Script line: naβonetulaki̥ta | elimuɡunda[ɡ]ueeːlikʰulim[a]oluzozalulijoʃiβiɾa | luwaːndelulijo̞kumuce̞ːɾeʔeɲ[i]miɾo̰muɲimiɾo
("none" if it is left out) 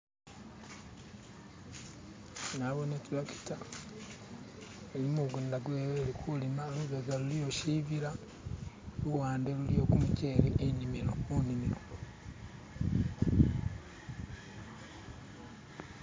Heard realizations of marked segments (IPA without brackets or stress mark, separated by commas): ɡ, a, i